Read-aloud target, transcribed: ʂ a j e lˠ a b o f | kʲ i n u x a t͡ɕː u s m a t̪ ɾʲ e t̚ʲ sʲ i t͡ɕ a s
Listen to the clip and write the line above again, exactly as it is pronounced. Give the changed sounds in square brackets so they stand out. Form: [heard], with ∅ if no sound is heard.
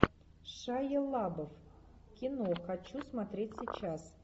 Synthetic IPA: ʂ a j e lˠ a b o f | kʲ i n [o] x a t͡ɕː u s m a t̪ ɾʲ e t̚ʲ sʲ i t͡ɕ a s